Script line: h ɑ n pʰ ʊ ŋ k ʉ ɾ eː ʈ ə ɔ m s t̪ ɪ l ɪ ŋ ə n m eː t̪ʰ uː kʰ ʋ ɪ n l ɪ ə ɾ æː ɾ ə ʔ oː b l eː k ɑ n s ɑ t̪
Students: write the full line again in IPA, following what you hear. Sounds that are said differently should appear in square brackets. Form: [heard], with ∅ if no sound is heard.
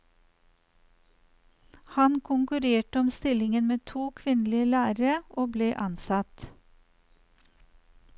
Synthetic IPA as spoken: h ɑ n [kʰ] ʊ ŋ k ʉ ɾ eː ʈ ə ɔ m s t̪ ɪ l ɪ ŋ ə n m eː t̪ʰ uː kʰ ʋ ɪ n l ɪ ə [l] æː ɾ ə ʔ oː b l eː [ʔ] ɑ n s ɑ t̪